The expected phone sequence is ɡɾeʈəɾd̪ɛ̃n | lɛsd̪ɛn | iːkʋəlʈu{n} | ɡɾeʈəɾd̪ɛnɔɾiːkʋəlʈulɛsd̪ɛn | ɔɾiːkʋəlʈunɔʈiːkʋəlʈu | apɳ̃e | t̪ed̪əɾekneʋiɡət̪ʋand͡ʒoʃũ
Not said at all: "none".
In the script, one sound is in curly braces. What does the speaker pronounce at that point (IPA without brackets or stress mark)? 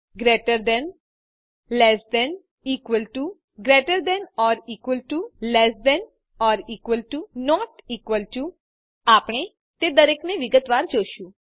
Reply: none